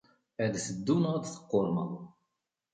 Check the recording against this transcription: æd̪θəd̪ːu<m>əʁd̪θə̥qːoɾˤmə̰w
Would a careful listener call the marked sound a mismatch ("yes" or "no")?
yes